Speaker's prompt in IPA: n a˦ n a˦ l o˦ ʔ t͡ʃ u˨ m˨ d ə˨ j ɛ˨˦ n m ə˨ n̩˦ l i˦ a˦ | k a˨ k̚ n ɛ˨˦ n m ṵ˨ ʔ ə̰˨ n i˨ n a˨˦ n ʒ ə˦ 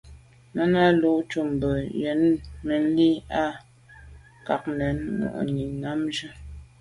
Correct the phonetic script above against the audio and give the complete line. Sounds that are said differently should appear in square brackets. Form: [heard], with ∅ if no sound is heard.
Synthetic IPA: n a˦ n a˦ l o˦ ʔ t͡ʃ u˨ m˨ [b] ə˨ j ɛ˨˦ n m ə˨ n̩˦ l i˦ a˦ | k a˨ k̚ n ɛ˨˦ n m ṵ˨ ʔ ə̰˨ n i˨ n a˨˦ [m] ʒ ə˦